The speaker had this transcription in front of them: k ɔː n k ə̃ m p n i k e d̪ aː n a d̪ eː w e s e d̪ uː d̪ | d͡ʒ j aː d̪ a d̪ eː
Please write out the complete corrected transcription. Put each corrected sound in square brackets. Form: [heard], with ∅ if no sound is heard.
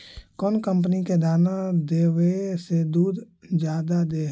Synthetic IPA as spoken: k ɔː n k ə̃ m p n i k e d̪ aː n a d̪ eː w e s e d̪ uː d̪ | d͡ʒ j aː d̪ a d̪ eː